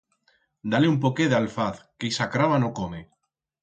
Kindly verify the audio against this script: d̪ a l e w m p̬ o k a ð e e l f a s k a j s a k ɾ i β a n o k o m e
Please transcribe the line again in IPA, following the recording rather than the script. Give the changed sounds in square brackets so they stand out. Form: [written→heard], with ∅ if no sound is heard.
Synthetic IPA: d̪ a l e [w→u] m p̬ o k [a→e] ð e [e→a] l f a [s→θ] k [a→e] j s a k ɾ [i→a] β a n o k o m e